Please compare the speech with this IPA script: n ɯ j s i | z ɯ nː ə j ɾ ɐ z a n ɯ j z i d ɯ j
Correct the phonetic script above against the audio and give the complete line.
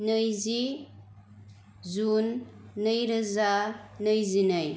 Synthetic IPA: n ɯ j z i | z u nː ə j ɾ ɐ z a n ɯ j z i n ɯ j